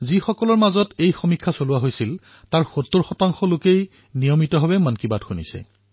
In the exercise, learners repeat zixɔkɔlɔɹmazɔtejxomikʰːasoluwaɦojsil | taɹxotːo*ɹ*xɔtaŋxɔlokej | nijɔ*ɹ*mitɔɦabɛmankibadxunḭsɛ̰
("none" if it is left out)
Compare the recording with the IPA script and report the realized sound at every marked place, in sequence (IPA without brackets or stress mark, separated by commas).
ɹ, none